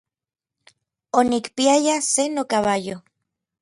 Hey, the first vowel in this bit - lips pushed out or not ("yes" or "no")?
yes